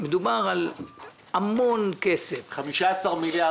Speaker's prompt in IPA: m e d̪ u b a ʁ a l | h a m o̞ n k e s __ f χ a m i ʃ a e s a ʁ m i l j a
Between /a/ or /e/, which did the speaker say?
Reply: e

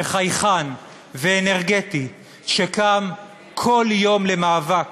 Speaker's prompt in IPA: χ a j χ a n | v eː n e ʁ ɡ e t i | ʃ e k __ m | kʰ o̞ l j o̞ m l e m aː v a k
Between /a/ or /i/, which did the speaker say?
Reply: a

